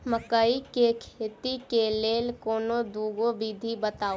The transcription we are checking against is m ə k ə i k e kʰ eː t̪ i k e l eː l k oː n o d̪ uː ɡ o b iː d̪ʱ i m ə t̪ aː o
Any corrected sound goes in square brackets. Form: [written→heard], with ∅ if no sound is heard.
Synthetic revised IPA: m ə k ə i k e kʰ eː t̪ i k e l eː l k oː n o d̪ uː ɡ o b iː d̪ʱ i [m→b] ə t̪ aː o